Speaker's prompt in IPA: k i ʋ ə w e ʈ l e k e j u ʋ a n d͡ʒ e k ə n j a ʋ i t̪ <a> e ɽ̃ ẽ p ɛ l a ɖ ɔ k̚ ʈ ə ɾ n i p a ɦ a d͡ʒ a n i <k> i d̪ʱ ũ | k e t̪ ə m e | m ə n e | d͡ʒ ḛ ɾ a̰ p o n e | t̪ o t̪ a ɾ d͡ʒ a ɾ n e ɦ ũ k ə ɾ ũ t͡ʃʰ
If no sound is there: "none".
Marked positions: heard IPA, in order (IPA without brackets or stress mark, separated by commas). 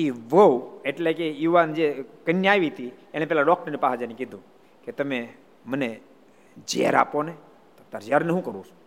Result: i, k